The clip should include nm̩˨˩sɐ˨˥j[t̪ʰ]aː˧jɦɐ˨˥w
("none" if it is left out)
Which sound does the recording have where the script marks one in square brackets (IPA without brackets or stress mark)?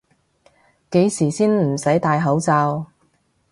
t̪